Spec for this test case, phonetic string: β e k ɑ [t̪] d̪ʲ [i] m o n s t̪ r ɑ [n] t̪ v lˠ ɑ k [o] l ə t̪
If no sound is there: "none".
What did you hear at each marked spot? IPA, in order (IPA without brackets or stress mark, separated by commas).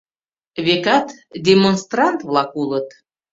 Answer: t̪, e, n, u